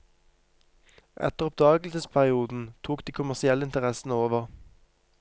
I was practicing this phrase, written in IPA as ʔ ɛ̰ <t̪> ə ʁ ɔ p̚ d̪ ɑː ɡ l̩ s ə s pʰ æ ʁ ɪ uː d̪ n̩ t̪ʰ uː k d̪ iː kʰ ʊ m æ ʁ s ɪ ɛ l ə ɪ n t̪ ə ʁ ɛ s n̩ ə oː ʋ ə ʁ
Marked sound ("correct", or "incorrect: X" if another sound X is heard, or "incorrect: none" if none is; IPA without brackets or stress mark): correct